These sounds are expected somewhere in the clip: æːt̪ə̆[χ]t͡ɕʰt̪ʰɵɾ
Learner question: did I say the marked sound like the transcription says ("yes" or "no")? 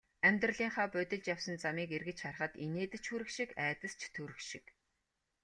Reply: no